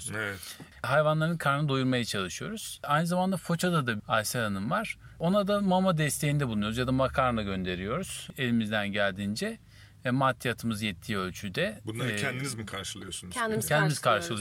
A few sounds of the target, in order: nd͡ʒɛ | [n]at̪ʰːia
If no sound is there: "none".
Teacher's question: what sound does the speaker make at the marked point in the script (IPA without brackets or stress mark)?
m